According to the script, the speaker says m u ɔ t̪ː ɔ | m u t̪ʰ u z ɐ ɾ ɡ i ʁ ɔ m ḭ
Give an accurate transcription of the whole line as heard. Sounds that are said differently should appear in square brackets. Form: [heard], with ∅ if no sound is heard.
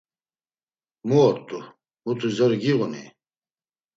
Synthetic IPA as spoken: m u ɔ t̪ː [u] | m u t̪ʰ u z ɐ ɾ ɡ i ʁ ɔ [n] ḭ